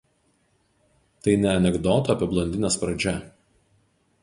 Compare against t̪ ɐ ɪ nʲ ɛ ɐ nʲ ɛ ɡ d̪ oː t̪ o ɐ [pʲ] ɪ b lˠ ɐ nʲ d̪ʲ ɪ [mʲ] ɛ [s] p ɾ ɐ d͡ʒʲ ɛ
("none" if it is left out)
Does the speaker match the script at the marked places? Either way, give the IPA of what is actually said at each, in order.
pʲ, nʲ, s

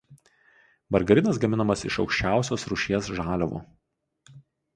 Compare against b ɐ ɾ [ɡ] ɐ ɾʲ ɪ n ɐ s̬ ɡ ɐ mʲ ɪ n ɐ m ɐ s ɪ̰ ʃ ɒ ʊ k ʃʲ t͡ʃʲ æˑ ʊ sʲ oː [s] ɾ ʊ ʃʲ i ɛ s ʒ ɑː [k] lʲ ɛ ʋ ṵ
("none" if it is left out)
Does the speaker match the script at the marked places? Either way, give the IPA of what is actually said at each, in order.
ɡ, s, none

